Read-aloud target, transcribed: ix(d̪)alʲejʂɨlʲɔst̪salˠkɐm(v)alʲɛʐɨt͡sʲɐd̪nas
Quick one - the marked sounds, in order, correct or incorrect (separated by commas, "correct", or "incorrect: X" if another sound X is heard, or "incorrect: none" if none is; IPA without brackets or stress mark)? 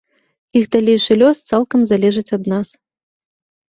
correct, incorrect: z